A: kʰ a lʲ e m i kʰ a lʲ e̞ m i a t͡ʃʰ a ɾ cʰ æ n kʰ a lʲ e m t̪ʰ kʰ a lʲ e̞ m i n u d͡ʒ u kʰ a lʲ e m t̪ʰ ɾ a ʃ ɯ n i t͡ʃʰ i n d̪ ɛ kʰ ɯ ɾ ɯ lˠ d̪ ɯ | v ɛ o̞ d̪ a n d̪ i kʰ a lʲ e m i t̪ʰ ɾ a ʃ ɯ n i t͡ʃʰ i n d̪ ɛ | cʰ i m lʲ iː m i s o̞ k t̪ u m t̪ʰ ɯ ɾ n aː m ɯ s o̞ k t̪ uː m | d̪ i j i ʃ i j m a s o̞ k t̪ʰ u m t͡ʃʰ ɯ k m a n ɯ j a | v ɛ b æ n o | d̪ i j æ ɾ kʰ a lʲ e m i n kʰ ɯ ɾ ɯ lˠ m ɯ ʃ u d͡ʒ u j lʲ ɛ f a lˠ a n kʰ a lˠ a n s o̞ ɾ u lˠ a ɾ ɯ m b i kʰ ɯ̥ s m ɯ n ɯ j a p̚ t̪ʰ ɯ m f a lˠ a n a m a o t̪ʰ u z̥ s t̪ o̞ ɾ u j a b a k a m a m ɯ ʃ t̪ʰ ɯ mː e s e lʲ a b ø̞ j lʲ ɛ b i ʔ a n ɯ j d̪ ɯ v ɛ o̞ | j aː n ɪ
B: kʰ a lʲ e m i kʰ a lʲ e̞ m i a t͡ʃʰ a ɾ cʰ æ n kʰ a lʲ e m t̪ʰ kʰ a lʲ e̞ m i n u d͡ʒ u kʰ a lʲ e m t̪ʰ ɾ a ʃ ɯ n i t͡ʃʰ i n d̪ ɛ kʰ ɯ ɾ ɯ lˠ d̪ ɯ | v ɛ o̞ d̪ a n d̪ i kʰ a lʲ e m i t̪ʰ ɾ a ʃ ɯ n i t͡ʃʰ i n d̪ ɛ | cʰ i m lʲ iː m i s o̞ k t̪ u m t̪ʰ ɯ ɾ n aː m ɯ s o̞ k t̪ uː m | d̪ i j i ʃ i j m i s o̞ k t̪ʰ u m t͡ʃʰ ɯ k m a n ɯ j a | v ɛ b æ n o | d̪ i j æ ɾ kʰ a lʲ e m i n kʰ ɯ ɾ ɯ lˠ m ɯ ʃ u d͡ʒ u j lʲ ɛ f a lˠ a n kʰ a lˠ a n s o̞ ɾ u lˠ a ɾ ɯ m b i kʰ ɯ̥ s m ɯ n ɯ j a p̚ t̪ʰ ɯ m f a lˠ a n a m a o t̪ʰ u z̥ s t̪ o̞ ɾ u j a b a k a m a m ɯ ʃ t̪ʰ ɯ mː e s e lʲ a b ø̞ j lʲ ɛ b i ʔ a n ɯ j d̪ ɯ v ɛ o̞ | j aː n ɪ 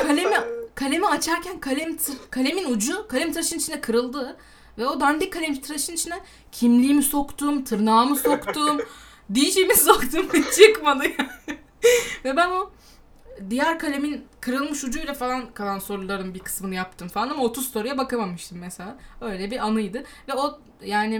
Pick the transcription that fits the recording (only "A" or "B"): B